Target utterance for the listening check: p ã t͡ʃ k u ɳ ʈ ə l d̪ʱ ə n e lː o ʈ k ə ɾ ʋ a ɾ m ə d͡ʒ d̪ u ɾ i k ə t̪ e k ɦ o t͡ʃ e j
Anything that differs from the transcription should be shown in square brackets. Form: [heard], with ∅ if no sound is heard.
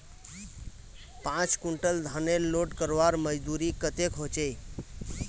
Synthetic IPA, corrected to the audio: p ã t͡ʃ k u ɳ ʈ ə l d̪ʱ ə n e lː o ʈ k ə ɾ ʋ a ɾ m ə d͡ʒ d̪ u ɾ i k ə t̪ e k ɦ o t͡ʃ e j